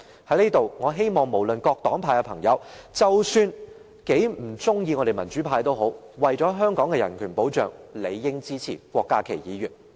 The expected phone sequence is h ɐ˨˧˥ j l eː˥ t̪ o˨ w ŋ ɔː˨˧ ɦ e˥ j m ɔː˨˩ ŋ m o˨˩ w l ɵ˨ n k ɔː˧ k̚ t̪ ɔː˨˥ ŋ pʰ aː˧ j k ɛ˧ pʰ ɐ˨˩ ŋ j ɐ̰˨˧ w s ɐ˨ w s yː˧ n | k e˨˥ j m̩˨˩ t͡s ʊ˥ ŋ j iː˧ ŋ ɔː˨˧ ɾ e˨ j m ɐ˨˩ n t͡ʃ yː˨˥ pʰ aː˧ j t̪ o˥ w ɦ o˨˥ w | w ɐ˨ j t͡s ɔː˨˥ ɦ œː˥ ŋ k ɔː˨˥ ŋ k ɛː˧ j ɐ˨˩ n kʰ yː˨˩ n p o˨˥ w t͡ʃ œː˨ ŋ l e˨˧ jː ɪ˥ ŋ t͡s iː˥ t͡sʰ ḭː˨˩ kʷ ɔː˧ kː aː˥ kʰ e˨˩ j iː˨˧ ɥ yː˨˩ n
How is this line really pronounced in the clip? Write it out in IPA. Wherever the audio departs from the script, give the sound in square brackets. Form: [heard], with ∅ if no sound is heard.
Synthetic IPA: h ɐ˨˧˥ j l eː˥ t̪ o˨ w ŋ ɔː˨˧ ɦ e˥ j m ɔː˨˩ ŋ m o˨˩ w l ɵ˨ n k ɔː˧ k̚ t̪ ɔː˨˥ ŋ pʰ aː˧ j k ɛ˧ pʰ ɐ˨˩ ŋ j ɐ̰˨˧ w [t͡s] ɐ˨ w s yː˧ n | k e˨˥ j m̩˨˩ t͡s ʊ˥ ŋ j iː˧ ŋ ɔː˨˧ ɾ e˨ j m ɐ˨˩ n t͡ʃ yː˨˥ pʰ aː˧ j t̪ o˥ w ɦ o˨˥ w | w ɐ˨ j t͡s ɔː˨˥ ɦ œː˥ ŋ k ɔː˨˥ ŋ k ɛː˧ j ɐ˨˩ n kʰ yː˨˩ n p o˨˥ w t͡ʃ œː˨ ŋ l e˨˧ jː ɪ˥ ŋ t͡s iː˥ t͡sʰ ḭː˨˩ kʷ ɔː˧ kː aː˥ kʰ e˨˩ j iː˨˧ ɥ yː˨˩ n